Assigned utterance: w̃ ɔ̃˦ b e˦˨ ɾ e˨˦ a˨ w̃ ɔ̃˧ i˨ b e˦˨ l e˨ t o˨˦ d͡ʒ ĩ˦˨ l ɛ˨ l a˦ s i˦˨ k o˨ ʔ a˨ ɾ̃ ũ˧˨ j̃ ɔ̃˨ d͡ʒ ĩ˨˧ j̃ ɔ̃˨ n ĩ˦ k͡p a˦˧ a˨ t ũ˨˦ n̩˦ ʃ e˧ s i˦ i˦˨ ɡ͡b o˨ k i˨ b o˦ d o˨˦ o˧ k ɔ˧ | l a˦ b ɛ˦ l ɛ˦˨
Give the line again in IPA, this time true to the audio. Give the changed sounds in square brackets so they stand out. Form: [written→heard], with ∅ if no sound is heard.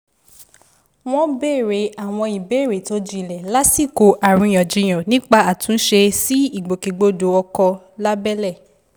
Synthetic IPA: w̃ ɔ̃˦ b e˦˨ ɾ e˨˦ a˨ w̃ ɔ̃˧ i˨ b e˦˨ [l→ɾ] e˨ t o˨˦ d͡ʒ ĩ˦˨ l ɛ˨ l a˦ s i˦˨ k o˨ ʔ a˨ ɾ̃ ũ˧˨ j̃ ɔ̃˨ d͡ʒ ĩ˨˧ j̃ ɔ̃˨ n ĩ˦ k͡p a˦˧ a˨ t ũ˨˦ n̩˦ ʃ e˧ s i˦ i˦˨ ɡ͡b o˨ k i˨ [b→ɡ͡b] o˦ d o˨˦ [o˧→ɔ˧] k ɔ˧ | l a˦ b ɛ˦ l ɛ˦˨

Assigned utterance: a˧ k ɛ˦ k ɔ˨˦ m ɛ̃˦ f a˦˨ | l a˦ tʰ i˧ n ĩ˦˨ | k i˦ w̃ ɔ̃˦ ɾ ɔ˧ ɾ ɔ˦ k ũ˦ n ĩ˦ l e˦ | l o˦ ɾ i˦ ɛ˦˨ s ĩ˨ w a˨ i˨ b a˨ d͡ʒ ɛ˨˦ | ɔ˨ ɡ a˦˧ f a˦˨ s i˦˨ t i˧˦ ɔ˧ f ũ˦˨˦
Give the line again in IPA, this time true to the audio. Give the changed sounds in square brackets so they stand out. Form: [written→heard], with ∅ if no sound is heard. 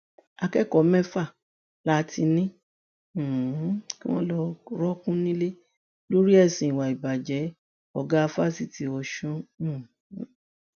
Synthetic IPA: a˧ k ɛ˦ k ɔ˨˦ m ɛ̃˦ f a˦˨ | l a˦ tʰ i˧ n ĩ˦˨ | k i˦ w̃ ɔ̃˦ [ɾ→l] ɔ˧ ɾ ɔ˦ k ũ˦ n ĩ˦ l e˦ | l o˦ ɾ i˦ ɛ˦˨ s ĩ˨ w a˨ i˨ b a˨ d͡ʒ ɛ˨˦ | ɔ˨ ɡ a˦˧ f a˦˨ s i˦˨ t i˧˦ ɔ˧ [f→ʃ] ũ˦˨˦

